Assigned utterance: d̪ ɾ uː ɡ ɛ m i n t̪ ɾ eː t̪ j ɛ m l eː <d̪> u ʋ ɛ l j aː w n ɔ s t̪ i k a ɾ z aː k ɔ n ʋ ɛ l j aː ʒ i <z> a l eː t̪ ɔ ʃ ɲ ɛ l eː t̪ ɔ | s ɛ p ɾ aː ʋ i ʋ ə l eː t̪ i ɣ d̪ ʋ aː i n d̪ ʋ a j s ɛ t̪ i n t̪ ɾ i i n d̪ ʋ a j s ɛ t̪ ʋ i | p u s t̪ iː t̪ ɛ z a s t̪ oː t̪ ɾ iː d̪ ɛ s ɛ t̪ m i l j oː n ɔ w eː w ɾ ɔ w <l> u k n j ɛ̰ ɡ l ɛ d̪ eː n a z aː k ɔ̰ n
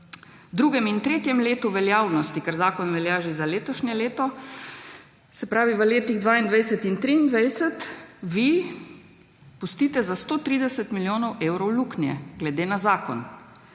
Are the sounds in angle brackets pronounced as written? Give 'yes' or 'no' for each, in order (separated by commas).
no, yes, yes